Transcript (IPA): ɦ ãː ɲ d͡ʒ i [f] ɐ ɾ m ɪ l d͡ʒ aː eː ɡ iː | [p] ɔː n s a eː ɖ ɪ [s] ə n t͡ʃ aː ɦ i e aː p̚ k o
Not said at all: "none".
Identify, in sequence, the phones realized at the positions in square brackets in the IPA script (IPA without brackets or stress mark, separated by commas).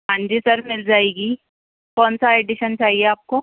s, k, ʃ